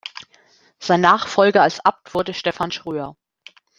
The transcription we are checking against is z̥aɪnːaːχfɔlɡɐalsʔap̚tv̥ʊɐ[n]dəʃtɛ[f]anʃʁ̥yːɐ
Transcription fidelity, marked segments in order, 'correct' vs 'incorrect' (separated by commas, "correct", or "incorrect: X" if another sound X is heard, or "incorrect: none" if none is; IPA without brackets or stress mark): incorrect: none, correct